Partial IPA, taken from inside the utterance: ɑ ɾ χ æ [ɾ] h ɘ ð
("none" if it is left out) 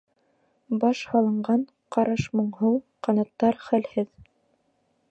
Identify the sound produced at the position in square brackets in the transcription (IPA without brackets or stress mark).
l